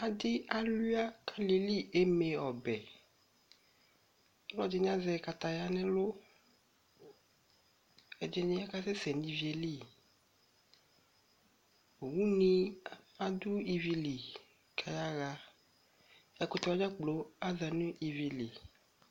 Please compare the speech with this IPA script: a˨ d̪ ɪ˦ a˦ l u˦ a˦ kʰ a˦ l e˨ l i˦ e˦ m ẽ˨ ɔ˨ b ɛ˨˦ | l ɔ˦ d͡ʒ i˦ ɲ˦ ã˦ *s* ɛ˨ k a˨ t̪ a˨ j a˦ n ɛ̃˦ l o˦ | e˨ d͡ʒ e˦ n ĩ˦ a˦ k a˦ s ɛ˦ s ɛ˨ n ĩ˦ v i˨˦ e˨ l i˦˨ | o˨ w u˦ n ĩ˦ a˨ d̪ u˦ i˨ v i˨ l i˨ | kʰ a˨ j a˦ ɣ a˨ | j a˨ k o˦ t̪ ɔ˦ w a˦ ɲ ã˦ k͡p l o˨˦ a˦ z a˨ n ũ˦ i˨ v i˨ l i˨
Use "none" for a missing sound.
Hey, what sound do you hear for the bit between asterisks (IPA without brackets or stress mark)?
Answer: z